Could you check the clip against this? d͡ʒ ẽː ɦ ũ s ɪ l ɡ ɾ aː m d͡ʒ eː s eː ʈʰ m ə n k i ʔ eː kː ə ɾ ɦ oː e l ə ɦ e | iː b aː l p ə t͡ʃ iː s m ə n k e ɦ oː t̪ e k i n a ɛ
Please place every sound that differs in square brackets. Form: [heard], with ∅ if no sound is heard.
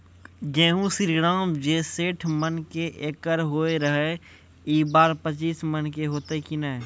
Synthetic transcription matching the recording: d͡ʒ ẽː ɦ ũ s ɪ [ɾ] ɡ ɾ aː m d͡ʒ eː s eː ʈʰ m ə n k [e] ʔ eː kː ə ɾ ɦ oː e [ɾ] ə ɦ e | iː b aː [ɾ] p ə t͡ʃ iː s m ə n k e ɦ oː t̪ e k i n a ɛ